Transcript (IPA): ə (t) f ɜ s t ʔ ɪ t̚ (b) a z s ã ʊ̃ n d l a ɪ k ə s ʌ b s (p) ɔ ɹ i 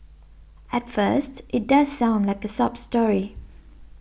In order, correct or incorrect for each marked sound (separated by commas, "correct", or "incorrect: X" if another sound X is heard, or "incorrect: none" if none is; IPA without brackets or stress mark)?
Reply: correct, incorrect: d, incorrect: t